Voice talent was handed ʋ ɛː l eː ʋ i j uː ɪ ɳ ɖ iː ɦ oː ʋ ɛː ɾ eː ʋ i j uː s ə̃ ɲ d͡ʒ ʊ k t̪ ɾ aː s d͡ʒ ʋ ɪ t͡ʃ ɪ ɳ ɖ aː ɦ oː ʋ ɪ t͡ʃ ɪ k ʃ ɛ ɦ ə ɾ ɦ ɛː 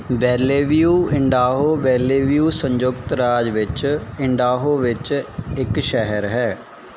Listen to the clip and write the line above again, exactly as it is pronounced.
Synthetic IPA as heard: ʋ ɛː l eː ʋ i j uː ɪ ɳ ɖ aː ɦ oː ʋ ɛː l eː ʋ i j uː s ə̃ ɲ d͡ʒ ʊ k t̪ ɾ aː d͡ʒ ʋ ɪ t͡ʃ ɪ ɳ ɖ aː ɦ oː ʋ ɪ t͡ʃ ɪ k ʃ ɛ ɦ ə ɾ ɦ ɛː